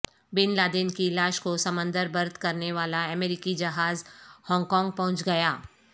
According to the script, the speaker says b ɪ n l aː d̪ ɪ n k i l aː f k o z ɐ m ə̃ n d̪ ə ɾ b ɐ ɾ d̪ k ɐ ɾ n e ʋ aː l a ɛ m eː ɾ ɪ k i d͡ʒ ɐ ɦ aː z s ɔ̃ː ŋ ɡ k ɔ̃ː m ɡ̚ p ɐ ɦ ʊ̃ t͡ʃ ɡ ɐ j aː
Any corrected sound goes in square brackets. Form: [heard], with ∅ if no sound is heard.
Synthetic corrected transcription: b ɪ n l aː d̪ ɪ n k i l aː [ʃ] k o [s] ɐ m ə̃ n d̪ ə ɾ b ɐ ɾ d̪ k ɐ ɾ n e ʋ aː l a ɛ m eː ɾ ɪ k i d͡ʒ ɐ ɦ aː z [h] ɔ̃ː ŋ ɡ k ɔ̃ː [ŋ] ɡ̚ p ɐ ɦ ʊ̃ t͡ʃ ɡ ɐ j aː

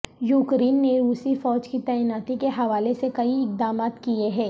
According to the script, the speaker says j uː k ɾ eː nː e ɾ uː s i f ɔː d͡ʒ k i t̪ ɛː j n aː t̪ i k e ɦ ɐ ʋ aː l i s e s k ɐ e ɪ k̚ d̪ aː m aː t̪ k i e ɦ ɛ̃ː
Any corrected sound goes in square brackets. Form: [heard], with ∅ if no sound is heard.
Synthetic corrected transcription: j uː k ɾ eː nː e ɾ uː s i f ɔː d͡ʒ k i t̪ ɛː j n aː t̪ i k e ɦ ɐ ʋ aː l [e] s e [∅] k ɐ [i] ɪ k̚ d̪ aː m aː t̪ k i e ɦ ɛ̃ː

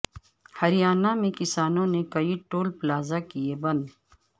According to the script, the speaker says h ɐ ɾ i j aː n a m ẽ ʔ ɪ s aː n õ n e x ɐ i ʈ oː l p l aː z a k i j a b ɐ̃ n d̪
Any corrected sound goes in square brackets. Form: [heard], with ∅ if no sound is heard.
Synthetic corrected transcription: h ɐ ɾ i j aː n a m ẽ [k] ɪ s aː n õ n e [k] ɐ i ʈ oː l p l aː z a k i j [e] b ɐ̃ n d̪

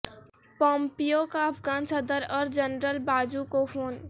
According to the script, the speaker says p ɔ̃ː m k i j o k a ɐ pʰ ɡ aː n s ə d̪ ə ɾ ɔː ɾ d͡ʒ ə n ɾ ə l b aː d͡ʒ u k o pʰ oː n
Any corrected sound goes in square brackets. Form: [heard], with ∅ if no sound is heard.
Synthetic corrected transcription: p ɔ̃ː m [p] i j o k a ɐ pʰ ɡ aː n s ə d̪ ə ɾ ɔː ɾ d͡ʒ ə n ɾ ə l b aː d͡ʒ u k o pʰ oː n

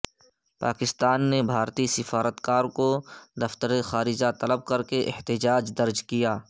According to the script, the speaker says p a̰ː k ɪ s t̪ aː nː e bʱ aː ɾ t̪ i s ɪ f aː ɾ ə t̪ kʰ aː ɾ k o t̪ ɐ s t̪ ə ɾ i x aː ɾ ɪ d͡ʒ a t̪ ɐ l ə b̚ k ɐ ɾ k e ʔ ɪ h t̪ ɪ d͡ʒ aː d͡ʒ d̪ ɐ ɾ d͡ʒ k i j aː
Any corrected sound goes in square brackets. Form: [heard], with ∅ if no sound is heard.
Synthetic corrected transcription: p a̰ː k ɪ s t̪ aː nː e bʱ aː ɾ t̪ i s ɪ f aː ɾ ə t̪ [k] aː ɾ k o [d̪] ɐ [f] t̪ ə ɾ [e] x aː ɾ ɪ d͡ʒ a t̪ ɐ l ə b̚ k ɐ ɾ k e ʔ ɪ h t̪ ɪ d͡ʒ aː d͡ʒ d̪ ɐ ɾ d͡ʒ k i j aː

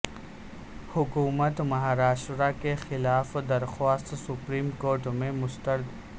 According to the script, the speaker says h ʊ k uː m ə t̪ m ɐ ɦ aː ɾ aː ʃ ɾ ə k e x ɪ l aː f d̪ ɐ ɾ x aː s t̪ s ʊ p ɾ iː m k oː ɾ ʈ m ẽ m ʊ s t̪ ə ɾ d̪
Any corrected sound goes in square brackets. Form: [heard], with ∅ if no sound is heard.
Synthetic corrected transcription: h ʊ k uː m ə t̪ m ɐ ɦ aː ɾ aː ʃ ɾ [a] k e x ɪ l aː f d̪ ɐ ɾ x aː s t̪ s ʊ p ɾ iː m k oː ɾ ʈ m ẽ m ʊ s t̪ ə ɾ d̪

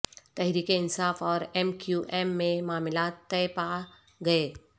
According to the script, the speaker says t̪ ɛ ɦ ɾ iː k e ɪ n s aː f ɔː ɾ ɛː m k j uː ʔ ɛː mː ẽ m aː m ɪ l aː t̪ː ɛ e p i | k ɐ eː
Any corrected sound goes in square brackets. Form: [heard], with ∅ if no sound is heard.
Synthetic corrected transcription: t̪ ɛ ɦ ɾ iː k e ɪ n s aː f ɔː ɾ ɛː m k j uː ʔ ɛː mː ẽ m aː m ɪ l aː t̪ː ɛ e p [a] | [ɡ] ɐ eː

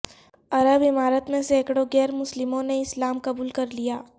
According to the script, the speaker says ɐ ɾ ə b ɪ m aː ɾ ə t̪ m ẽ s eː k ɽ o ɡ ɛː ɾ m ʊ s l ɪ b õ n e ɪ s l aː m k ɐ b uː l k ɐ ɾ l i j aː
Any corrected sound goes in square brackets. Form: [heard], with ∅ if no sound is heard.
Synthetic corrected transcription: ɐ ɾ ə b ɪ m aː ɾ ə t̪ m ẽ s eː k ɽ o ɡ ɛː ɾ m ʊ s l ɪ [m] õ n e ɪ s l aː m k ɐ b uː l k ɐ ɾ l i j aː

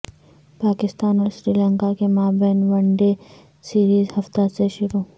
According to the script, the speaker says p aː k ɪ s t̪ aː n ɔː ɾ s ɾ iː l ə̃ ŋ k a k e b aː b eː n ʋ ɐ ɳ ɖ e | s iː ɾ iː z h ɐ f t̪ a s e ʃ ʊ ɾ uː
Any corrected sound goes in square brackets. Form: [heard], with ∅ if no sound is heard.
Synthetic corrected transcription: p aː k ɪ s t̪ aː n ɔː ɾ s ɾ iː l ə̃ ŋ k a k e [m] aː b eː n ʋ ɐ ɳ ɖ e | s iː ɾ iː z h ɐ f t̪ a s e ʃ ʊ ɾ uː

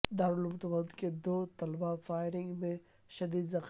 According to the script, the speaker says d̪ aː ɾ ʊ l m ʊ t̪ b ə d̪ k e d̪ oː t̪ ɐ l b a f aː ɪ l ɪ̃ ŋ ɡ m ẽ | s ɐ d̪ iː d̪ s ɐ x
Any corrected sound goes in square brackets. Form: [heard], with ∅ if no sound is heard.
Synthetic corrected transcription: d̪ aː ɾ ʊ l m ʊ t̪ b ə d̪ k e d̪ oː t̪ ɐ l b a f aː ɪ [ɾ] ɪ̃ ŋ ɡ m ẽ | [ʃ] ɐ d̪ iː d̪ [z] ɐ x

